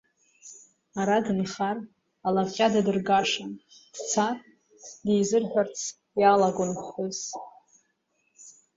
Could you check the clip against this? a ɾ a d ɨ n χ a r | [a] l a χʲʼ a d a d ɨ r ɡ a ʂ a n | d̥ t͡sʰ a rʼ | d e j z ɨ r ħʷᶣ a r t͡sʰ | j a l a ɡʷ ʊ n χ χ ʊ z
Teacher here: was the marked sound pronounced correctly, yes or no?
yes